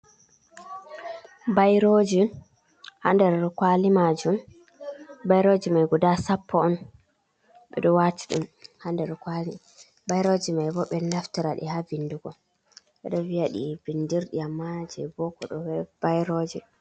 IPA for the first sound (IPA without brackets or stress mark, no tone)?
b